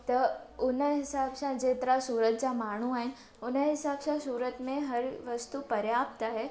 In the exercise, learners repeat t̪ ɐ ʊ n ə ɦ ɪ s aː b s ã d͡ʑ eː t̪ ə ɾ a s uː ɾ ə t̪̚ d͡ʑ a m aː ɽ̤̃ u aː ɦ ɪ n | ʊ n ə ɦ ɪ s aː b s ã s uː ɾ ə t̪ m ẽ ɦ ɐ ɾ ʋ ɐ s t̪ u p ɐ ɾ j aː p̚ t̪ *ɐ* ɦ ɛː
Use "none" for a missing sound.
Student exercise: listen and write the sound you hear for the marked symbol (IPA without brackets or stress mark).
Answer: a